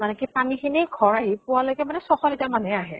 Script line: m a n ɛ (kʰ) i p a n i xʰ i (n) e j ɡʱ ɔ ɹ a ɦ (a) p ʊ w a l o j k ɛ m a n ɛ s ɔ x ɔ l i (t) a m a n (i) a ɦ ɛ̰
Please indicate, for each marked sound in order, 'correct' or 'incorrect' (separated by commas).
incorrect, correct, incorrect, correct, incorrect